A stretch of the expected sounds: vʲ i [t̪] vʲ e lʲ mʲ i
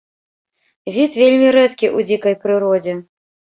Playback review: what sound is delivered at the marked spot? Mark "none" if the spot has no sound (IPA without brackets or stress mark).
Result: t̪